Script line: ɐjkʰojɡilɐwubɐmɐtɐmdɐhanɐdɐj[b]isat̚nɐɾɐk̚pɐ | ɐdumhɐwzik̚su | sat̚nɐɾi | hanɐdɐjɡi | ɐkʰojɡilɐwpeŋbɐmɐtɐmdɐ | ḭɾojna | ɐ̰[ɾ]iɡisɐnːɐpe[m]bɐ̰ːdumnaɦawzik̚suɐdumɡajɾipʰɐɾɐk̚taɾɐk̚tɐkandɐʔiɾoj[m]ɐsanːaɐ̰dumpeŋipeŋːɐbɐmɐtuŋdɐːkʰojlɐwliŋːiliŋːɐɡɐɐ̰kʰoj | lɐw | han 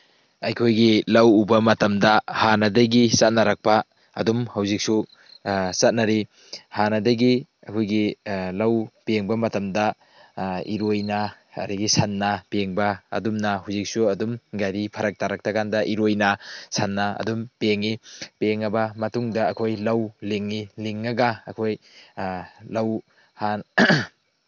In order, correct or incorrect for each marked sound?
incorrect: ɡ, correct, incorrect: ŋ, incorrect: n

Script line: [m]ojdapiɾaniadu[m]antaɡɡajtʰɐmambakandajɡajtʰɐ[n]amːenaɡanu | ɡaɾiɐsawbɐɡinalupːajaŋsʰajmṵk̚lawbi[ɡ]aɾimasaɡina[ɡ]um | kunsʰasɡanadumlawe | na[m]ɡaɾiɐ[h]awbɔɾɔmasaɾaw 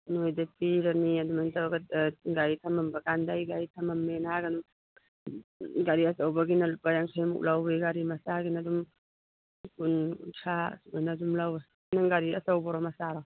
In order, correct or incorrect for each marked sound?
incorrect: n, correct, incorrect: m, correct, incorrect: d, incorrect: ŋ, incorrect: s

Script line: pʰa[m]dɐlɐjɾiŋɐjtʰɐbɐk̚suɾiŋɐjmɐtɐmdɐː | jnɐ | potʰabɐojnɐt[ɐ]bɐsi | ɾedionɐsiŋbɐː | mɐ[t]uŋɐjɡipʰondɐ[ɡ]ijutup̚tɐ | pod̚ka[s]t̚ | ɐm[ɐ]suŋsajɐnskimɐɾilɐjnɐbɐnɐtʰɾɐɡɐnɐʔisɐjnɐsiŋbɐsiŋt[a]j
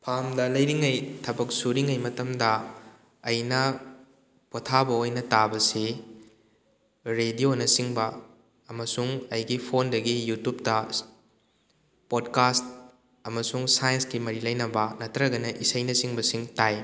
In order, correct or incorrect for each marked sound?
correct, incorrect: a, incorrect: s, correct, correct, correct, correct

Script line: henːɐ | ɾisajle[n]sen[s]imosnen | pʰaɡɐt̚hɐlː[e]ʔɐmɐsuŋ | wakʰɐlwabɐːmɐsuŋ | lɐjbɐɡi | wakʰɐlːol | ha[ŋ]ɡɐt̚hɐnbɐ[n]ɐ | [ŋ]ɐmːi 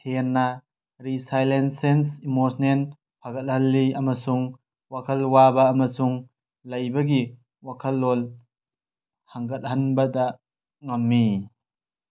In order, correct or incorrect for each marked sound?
correct, correct, incorrect: i, correct, incorrect: d, correct

